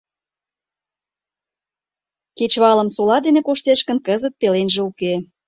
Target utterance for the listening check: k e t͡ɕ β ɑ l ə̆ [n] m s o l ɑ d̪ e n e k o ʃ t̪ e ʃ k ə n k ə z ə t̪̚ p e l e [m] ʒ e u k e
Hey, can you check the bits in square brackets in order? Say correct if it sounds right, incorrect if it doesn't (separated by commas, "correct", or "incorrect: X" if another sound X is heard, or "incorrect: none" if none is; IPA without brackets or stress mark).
incorrect: none, incorrect: n